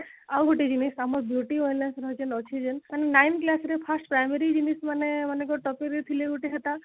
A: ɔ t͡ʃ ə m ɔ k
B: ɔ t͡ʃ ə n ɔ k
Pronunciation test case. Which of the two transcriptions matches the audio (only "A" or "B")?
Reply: B